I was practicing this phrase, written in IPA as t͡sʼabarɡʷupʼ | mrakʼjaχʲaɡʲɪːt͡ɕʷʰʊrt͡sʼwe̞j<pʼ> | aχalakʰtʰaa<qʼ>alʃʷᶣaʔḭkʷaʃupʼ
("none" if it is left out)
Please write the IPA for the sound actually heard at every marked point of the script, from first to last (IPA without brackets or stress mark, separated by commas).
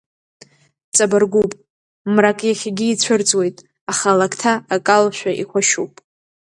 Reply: tʼ, kʼ